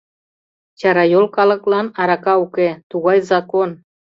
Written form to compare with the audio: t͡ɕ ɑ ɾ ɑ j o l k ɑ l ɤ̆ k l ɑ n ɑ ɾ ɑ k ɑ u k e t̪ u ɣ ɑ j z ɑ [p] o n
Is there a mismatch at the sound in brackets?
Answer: yes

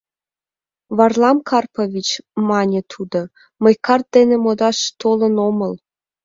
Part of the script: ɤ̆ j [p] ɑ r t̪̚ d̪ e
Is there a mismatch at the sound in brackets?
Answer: yes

